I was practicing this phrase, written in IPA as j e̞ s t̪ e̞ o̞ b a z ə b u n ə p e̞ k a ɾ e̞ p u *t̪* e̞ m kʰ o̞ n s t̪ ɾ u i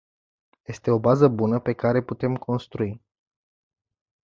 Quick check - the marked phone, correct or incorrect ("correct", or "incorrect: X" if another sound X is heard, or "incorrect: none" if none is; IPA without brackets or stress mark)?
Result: correct